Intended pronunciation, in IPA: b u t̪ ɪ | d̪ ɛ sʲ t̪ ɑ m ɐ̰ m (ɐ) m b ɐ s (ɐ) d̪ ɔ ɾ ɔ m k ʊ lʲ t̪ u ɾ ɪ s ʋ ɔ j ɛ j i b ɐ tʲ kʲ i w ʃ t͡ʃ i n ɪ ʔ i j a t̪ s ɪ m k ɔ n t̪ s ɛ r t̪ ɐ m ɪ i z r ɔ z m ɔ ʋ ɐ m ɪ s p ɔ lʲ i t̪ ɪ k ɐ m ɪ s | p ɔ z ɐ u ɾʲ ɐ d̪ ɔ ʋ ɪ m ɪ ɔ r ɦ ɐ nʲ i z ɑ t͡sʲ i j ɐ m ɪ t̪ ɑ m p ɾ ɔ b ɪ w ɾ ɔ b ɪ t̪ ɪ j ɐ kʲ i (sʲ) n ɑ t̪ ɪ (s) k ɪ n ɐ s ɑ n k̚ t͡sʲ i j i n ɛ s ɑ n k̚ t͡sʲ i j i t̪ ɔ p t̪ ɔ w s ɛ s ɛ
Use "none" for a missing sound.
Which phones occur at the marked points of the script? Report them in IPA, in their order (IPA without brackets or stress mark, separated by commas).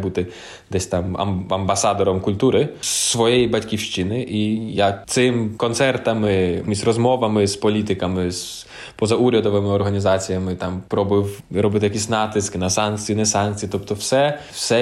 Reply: ɐ, ɑ, sʲ, s